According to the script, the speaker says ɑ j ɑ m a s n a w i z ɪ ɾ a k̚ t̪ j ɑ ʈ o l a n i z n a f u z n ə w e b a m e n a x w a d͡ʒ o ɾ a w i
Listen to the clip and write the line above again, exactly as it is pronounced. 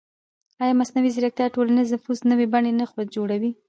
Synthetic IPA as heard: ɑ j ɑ m a s n a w i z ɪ ɾ a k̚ t̪ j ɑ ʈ o l a n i z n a f u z n ə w e b a ɳ e n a x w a d͡ʒ o ɽ a w i